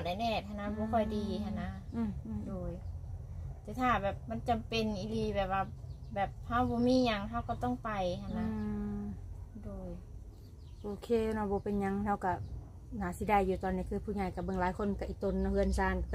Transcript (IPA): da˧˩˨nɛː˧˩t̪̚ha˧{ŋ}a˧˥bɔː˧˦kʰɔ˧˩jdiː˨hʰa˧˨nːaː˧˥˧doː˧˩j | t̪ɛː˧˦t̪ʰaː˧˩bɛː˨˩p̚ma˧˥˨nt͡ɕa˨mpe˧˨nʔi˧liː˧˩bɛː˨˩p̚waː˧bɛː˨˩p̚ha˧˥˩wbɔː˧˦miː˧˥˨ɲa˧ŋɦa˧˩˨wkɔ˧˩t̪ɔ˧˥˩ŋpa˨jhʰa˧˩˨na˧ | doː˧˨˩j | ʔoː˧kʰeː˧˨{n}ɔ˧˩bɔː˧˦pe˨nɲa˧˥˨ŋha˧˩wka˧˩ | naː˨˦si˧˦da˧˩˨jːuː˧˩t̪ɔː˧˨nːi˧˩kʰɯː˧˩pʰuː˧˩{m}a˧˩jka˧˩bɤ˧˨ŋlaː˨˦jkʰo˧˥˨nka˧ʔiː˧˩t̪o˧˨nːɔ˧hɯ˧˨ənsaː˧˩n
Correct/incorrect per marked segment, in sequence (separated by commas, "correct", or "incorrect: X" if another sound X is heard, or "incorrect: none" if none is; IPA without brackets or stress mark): incorrect: n, correct, incorrect: ɲ